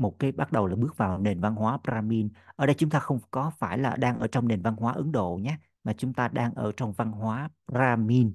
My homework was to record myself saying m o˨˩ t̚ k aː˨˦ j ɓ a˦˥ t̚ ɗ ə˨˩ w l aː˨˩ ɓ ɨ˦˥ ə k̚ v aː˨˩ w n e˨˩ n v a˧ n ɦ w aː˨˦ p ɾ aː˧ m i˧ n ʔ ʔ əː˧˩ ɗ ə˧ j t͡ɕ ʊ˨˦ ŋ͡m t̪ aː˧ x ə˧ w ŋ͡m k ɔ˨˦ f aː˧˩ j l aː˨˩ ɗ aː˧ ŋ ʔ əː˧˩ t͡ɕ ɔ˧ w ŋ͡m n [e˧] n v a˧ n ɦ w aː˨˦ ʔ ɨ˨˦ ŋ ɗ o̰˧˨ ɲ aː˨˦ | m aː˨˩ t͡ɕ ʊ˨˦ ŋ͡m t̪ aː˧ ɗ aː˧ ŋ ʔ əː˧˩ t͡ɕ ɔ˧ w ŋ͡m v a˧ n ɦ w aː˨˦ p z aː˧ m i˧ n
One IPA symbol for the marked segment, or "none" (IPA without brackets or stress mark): e˨˩